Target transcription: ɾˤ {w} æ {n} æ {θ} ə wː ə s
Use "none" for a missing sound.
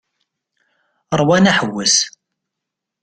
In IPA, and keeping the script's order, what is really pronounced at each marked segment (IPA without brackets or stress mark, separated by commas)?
w, n, ħ